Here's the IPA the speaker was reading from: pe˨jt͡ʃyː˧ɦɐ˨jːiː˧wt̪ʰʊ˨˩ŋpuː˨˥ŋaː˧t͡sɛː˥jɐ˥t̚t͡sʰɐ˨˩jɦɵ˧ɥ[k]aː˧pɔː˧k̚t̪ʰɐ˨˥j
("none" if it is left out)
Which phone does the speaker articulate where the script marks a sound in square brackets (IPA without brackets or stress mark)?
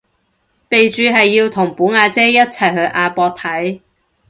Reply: ʔ